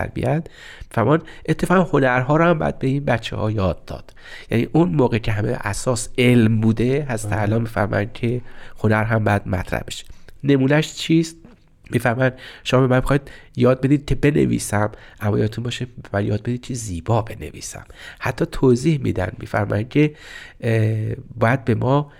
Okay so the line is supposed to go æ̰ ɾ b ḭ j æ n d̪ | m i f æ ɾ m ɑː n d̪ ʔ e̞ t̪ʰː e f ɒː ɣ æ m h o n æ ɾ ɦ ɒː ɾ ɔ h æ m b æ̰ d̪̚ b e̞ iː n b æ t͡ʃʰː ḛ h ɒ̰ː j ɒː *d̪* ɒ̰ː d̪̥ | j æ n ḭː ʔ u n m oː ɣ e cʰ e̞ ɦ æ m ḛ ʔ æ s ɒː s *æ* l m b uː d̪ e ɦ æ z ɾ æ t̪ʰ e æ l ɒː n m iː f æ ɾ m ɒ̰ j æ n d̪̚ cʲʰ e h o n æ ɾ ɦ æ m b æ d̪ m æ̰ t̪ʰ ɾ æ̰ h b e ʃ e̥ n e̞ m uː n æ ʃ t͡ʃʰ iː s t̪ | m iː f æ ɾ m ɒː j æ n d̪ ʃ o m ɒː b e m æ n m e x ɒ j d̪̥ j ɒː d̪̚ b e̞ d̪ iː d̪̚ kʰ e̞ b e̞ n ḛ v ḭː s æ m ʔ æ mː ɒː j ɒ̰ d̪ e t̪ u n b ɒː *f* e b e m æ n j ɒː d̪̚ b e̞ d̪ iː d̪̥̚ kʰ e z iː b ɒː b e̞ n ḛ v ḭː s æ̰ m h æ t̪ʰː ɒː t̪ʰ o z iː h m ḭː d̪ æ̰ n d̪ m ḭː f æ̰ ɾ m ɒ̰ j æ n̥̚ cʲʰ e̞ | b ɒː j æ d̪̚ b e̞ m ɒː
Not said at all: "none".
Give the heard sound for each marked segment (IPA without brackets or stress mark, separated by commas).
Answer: d̪ː, e, ʃ